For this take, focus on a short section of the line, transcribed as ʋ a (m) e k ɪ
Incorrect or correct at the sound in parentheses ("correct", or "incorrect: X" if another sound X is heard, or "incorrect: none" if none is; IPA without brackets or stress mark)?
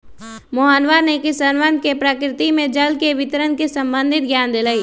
incorrect: n